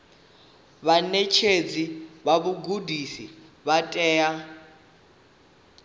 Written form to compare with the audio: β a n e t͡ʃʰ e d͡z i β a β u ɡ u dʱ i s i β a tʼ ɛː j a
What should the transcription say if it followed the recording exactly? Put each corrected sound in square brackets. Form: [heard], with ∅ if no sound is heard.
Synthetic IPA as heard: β a n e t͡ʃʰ e d͡z i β a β u ɡ u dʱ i s i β a tʼ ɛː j a